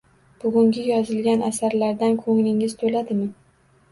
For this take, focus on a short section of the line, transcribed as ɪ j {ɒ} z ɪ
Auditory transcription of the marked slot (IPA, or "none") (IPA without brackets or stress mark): ɒ